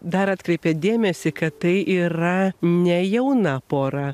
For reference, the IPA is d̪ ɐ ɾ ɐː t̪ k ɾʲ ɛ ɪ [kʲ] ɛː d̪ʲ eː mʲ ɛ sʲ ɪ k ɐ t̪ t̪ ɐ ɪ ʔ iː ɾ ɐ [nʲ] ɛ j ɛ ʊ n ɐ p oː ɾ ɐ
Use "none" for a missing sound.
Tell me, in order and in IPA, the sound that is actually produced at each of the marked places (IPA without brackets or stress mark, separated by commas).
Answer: pʲ, nʲ